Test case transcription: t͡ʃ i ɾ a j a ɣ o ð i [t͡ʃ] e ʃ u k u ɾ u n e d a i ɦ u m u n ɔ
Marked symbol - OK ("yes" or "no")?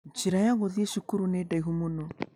no